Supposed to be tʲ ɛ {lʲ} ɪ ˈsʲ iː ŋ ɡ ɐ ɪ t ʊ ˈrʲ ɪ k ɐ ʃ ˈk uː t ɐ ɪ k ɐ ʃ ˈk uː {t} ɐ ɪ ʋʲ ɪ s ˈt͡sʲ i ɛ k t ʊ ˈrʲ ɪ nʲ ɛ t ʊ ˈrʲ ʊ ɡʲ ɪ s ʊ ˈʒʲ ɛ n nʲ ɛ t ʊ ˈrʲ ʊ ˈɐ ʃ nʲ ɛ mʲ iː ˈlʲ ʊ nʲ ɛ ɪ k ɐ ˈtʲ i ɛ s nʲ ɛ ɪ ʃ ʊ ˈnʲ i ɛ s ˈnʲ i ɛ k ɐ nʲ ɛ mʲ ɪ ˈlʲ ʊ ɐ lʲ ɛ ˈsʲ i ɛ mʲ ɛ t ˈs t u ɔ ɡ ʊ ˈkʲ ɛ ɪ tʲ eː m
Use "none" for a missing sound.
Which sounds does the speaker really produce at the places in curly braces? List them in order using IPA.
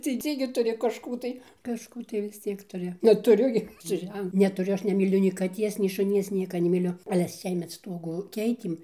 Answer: none, t

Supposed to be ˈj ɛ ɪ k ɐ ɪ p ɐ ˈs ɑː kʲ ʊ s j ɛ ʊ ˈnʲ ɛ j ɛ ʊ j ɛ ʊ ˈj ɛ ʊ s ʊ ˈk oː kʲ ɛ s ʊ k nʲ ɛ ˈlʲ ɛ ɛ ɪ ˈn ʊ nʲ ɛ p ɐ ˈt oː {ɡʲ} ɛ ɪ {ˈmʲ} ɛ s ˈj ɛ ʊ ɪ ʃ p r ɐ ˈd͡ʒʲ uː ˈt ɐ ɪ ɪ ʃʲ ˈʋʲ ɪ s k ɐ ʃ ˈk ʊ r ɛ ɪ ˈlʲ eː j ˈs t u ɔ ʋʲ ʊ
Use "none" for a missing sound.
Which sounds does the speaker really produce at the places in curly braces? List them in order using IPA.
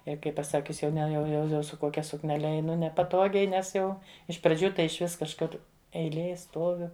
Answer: ɡʲ, nʲ

